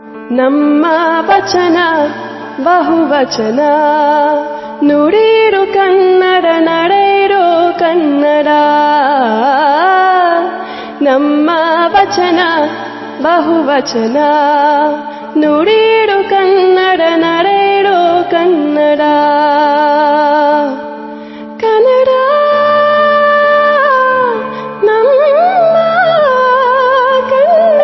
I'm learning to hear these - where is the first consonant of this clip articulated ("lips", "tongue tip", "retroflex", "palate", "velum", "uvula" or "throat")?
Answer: tongue tip